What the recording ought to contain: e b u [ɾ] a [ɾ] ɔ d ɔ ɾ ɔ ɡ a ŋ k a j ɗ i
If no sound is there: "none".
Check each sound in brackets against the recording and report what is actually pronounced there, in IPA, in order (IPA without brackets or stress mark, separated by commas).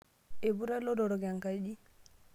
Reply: ɾ, l